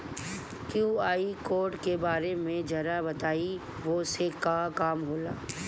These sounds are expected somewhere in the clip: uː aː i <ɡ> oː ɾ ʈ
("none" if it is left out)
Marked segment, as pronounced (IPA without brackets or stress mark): k